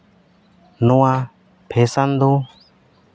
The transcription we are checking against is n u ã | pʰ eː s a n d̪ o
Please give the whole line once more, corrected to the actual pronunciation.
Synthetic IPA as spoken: n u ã | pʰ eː s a n d̪ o